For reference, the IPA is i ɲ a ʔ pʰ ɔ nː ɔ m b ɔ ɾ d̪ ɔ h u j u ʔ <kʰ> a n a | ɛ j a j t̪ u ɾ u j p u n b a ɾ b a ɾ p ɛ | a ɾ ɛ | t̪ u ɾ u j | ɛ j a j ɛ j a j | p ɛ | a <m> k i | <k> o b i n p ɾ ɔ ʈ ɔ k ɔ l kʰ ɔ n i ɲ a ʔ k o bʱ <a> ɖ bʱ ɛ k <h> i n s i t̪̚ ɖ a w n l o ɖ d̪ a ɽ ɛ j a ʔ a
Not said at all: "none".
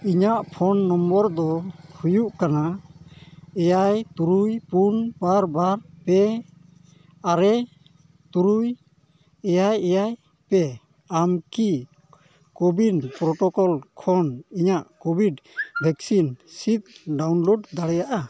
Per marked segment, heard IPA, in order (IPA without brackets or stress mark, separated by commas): k, m, k, i, s